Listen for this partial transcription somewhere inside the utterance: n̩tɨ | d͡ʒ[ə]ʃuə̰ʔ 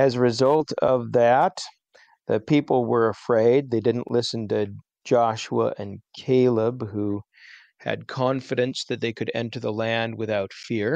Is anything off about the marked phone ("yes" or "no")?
yes